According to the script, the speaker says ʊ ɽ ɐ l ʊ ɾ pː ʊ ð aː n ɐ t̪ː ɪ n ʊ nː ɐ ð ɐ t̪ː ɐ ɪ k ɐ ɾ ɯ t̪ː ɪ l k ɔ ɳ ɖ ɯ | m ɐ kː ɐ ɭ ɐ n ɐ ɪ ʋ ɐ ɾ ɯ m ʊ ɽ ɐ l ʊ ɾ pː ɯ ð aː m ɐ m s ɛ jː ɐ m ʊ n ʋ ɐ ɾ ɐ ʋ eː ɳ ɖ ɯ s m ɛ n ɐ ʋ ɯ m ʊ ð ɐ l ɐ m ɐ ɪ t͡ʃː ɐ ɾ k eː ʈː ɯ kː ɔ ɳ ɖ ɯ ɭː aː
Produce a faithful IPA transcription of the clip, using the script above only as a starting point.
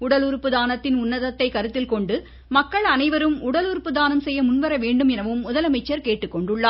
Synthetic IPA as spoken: ʊ ɽ ɐ l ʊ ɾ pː ɯ ð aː n ɐ t̪ː ɪ n ʊ nː ɐ ð ɐ t̪ː ɐ ɪ k ɐ ɾ ɯ t̪ː ɪ l k ɔ ɳ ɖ ɯ | m ɐ kː ɐ ɭ ɐ n ɐ ɪ ʋ ɐ ɾ ɯ m ʊ ɽ ɐ l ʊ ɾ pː ɯ ð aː n ɐ m s ɛ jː ɐ m ʊ n ʋ ɐ ɾ ɐ ʋ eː ɳ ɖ ɯ m ɛ n ɐ ʋ ɯ m ʊ ð ɐ l ɐ m ɐ ɪ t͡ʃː ɐ ɾ k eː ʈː ɯ kː ɔ ɳ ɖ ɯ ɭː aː